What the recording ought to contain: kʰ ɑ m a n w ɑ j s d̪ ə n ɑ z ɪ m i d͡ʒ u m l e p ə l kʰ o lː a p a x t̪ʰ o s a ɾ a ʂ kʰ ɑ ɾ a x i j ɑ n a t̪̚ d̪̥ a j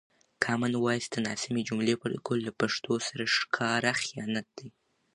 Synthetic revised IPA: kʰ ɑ m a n w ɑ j s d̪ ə n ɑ s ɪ m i d͡ʒ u m l e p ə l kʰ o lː a p a ʂ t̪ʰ o s a ɾ a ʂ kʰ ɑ ɾ a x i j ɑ n a t̪̚ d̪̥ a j